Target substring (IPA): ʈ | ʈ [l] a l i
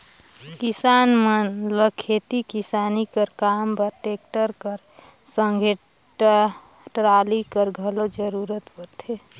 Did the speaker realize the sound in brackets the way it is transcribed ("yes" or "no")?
no